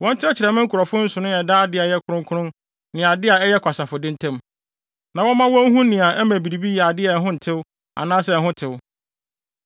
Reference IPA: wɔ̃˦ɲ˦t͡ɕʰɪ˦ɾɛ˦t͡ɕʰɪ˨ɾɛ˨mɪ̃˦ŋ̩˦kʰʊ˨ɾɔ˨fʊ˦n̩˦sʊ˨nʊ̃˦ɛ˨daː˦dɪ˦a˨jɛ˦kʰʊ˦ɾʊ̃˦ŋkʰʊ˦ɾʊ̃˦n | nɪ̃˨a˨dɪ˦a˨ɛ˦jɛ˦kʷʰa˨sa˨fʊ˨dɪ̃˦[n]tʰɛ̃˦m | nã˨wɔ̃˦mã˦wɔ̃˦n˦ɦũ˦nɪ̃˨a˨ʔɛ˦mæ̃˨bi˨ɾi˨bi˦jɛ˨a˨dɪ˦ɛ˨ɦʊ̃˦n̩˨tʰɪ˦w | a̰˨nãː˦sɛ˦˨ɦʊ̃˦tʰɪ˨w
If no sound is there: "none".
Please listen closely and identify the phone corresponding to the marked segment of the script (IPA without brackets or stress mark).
n